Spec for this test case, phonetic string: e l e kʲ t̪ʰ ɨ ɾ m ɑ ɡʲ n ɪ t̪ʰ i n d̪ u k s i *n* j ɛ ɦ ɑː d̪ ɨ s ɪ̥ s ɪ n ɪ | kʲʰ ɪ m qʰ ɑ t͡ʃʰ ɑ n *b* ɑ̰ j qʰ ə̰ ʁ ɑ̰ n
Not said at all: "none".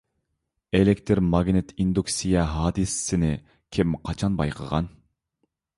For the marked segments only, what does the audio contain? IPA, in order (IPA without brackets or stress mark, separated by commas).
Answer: none, b